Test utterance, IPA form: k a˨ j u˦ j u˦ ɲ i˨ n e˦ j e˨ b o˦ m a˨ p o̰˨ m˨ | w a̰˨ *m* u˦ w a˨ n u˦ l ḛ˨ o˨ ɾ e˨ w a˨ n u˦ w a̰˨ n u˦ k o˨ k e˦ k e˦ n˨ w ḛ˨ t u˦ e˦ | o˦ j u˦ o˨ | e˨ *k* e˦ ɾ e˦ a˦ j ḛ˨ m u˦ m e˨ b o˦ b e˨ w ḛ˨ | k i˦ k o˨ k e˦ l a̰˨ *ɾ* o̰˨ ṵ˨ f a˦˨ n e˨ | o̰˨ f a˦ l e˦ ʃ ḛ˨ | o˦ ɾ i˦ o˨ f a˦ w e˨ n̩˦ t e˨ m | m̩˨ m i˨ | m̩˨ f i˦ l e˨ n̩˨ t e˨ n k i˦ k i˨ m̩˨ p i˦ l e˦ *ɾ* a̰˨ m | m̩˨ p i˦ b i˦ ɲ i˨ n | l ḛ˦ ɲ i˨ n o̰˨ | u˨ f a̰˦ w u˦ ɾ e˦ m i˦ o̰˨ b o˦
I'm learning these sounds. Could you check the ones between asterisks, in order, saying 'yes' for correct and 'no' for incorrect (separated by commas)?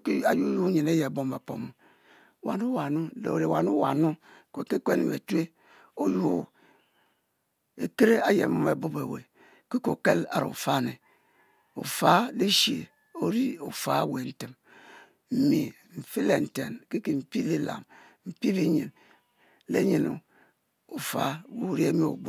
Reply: no, yes, yes, no